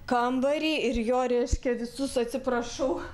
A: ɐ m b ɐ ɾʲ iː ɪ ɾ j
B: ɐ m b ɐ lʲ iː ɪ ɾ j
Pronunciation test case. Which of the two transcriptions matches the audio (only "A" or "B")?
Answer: A